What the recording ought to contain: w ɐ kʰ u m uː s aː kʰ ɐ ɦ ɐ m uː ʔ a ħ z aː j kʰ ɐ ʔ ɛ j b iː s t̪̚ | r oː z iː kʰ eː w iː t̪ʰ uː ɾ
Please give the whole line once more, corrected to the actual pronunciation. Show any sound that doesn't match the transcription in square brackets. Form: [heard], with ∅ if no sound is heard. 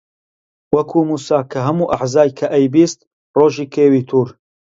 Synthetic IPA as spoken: w ɐ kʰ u m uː s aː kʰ ɐ ɦ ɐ m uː ʔ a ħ z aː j kʰ ɐ ʔ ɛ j b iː s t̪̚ | r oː [ʒ] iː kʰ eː w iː t̪ʰ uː ɾ